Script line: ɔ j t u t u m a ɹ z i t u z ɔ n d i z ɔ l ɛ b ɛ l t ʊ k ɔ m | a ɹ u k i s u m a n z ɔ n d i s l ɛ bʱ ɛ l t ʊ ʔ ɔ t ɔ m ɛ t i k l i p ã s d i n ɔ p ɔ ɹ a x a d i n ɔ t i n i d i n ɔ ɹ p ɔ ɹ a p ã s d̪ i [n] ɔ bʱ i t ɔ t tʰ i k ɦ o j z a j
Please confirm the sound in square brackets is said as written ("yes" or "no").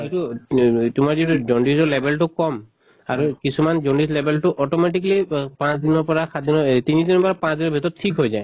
yes